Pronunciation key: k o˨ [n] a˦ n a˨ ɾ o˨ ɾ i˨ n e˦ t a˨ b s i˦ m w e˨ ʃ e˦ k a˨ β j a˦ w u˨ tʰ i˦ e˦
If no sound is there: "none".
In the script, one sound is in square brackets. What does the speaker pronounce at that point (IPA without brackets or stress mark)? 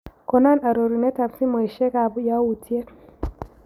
n